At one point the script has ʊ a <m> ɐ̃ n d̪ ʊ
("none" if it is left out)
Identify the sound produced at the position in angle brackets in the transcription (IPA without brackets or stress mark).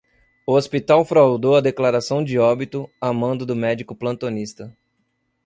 m